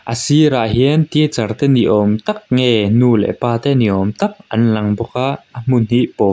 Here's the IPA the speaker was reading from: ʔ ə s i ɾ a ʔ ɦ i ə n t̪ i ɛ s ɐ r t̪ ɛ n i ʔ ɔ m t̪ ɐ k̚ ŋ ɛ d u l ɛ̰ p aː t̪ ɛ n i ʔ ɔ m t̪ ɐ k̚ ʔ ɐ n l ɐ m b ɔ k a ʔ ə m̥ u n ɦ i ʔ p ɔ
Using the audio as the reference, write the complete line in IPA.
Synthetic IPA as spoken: ʔ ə s i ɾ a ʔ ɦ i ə n t̪ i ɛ t͡s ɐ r t̪ ɛ n i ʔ ɔ m t̪ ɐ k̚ ŋ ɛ n u l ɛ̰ p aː t̪ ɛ n i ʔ ɔ m t̪ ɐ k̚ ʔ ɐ n l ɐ ŋ b ɔ k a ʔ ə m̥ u n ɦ i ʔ p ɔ

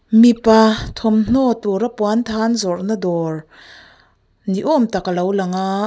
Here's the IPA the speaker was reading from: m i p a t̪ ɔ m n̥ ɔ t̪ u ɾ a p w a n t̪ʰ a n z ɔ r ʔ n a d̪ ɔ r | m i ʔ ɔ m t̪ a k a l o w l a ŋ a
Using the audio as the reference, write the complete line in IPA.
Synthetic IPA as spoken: m i p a t̪ʰ ɔ m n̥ ɔ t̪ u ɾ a p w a n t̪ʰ a n z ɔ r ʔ n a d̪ ɔ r | n i ʔ ɔ m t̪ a k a l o w l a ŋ a

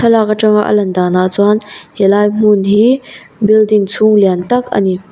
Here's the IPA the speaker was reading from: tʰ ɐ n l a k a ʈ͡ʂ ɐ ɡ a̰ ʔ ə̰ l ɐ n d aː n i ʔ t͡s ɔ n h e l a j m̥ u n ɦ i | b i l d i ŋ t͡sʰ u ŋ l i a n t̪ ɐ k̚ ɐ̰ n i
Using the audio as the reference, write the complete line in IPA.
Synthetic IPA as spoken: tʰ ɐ l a k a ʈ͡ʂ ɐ ŋ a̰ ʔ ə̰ l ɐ n d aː n a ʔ t͡s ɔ n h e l a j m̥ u n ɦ i | b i l d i ŋ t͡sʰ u ŋ l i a n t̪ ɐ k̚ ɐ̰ n i

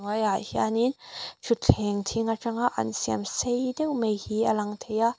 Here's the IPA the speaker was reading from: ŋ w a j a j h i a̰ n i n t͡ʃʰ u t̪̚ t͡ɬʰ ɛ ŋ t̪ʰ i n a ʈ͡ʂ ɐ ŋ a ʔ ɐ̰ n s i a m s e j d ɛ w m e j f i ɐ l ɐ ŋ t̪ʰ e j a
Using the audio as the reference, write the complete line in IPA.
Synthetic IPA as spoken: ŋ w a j a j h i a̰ n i n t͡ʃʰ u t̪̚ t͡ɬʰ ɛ ŋ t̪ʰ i ŋ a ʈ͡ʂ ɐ ŋ a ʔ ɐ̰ n s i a m s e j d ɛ w m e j h i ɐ l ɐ ŋ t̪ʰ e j a

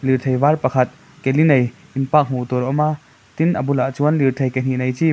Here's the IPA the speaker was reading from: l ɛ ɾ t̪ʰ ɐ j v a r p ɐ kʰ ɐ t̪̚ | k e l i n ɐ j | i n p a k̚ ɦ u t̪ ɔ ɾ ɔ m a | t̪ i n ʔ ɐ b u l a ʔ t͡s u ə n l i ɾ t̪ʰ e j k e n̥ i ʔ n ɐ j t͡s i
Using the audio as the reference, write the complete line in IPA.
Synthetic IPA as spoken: l i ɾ t̪ʰ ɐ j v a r p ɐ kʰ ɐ t̪̚ | k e l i n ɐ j | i n p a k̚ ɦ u t̪ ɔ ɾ ɔ m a | t̪ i n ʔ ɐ b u l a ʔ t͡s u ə n l i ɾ t̪ʰ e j k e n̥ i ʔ n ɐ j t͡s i

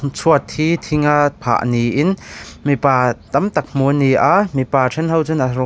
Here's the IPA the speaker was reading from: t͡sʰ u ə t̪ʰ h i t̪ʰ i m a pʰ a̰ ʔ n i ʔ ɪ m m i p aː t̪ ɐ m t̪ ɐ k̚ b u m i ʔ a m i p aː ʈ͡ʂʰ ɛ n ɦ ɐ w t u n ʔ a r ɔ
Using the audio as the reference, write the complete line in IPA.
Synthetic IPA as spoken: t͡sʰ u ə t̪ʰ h i t̪ʰ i ŋ a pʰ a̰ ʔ n i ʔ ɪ n m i p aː t̪ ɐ m t̪ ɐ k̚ m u n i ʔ a m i p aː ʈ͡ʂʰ ɛ n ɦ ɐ w t͡s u n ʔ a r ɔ

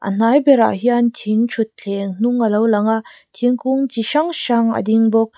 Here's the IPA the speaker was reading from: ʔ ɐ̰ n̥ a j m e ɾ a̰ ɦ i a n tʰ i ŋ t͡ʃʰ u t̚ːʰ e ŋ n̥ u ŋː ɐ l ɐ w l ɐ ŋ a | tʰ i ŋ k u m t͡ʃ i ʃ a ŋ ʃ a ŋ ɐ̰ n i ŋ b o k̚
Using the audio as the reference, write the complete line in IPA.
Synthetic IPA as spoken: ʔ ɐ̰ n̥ a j b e ɾ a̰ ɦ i a n tʰ i ŋ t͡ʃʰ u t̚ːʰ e ŋ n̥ u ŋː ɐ l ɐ w l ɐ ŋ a | tʰ i ŋ k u ŋ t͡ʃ i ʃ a ŋ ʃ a ŋ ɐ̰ d i ŋ b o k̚

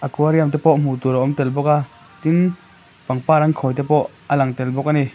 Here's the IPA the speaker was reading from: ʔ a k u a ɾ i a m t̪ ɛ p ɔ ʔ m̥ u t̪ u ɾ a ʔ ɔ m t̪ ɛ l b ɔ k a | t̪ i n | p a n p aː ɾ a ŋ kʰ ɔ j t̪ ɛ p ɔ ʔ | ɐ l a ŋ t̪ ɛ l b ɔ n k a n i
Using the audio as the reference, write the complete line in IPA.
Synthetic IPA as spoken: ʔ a k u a ɾ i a m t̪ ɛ p ɔ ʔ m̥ u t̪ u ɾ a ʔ ɔ m t̪ ɛ l b ɔ k a | t̪ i n | p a ŋ p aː ɾ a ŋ kʰ ɔ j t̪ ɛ p ɔ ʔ | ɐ l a ŋ t̪ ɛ l b ɔ k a n i

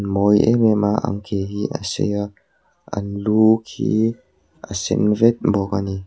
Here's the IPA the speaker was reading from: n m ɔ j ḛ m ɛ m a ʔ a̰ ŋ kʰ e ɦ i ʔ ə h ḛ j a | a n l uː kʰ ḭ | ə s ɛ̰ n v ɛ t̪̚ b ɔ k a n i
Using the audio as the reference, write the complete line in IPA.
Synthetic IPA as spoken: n m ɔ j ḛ m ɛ m a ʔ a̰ ŋ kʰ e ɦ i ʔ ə s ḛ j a | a n l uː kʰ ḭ | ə s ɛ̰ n v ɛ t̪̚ b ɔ k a n i

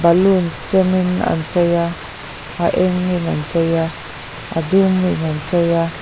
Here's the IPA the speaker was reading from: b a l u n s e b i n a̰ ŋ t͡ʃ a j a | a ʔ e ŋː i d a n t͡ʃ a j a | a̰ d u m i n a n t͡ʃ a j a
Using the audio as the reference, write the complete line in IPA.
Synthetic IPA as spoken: b a l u n s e m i n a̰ n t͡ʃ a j a | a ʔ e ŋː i n a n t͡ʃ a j a | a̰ d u m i n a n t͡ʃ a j a

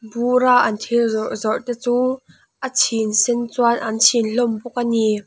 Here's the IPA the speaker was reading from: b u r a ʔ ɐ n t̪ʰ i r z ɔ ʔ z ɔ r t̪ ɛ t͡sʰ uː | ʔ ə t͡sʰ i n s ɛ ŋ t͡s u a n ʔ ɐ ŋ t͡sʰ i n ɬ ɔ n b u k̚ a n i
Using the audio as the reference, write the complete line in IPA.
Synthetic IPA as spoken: b u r a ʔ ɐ n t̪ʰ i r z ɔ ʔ z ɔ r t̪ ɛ t͡s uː | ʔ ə t͡sʰ i n s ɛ n t͡s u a n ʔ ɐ n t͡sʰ i n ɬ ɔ m b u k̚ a n i

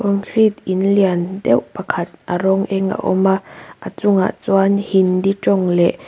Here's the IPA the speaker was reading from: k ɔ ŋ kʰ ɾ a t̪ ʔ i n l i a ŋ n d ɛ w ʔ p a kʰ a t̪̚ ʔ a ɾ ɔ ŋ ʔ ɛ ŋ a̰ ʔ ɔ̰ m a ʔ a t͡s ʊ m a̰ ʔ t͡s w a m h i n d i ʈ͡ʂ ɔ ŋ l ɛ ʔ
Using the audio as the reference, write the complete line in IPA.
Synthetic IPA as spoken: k ɔ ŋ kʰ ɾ i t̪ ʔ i n l i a n d ɛ w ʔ p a kʰ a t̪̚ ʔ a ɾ ɔ ŋ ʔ ɛ ŋ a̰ ʔ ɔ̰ m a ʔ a t͡s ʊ ŋ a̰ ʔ t͡s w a n h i n d i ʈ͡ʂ ɔ ŋ l ɛ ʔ

